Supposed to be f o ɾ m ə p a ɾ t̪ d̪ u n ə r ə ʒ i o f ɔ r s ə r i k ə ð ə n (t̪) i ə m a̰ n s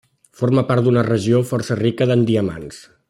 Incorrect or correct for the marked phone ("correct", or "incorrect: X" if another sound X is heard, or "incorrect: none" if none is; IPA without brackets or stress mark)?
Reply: incorrect: d̪